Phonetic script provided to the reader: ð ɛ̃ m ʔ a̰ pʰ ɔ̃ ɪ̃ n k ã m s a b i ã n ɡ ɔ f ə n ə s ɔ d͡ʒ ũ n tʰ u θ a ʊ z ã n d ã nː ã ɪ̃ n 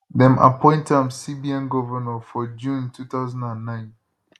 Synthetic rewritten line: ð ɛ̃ m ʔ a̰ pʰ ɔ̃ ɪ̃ n t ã m s i b i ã n ɡ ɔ v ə n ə f ɔ d͡ʒ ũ n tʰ u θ a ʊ z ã n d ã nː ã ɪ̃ n